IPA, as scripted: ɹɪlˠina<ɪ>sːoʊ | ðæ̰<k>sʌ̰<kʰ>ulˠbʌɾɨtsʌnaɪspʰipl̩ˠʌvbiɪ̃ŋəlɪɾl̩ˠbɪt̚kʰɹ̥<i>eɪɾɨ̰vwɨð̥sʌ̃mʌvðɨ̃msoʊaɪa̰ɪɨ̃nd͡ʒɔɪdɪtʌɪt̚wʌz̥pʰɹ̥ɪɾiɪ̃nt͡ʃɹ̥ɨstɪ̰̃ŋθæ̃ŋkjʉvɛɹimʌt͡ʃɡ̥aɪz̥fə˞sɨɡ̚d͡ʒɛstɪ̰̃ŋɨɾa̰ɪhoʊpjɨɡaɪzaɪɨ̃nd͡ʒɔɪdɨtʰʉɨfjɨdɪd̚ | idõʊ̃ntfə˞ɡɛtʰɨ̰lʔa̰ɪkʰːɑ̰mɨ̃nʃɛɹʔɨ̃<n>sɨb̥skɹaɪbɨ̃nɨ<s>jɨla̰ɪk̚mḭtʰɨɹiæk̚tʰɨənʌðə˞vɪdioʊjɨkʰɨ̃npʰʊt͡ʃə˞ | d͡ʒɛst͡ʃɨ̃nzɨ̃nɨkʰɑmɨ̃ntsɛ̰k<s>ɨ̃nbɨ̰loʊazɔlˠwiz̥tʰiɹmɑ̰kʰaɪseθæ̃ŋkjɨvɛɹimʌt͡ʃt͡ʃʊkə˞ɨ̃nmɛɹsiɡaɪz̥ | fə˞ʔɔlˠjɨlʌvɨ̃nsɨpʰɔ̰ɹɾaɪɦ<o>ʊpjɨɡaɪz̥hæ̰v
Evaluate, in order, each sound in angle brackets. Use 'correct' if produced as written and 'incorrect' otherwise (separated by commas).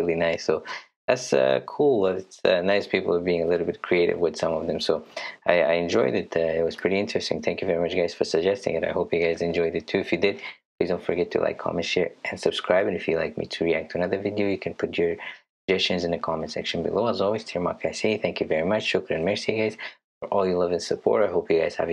correct, incorrect, correct, correct, correct, incorrect, incorrect, correct